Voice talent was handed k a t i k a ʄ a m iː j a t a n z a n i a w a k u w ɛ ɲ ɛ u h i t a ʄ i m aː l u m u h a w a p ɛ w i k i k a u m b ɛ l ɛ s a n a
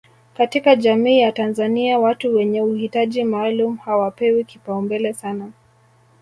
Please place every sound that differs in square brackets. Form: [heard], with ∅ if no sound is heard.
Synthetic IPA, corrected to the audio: k a t i k a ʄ a m iː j a t a n z a n i a w a [t] u w ɛ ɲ ɛ u h i t a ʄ i m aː l u m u h a w a p ɛ w i k i [p] a u m b ɛ l ɛ s a n a